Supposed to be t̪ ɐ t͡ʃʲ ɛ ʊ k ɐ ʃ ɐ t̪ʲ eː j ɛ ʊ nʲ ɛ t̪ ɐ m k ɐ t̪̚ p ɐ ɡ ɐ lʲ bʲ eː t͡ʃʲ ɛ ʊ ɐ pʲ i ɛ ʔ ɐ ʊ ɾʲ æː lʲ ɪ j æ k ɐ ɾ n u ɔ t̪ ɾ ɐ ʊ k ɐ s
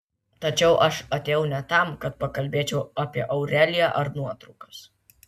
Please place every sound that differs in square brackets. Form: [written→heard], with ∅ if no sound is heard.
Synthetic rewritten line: t̪ ɐ t͡ʃʲ ɛ ʊ [k→ʔ] ɐ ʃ ɐ t̪ʲ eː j ɛ ʊ nʲ ɛ t̪ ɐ m k ɐ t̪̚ p ɐ [ɡ→k] ɐ lʲ bʲ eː t͡ʃʲ ɛ ʊ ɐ pʲ i ɛ ʔ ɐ ʊ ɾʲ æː lʲ ɪ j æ [k→ʔ] ɐ ɾ n u ɔ t̪ ɾ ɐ ʊ k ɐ s